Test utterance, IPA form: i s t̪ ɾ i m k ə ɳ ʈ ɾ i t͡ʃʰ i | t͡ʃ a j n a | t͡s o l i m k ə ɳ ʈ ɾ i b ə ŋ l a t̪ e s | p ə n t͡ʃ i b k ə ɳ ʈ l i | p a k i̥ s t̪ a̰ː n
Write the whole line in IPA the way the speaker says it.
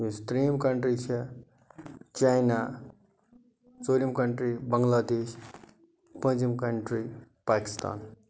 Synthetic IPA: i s t̪ ɾ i m k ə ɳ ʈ ɾ i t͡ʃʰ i | t͡ʃ a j n a | t͡s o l i m k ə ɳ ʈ ɾ i b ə ŋ l a d̪ e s | p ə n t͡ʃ i m k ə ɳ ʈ ɾ i | p a k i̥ s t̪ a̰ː n